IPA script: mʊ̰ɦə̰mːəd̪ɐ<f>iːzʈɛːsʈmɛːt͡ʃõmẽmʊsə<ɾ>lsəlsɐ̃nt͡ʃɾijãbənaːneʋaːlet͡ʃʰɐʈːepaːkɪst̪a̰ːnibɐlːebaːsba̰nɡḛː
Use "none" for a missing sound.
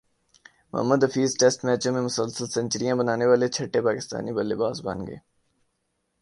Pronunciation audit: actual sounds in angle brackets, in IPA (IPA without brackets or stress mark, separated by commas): f, none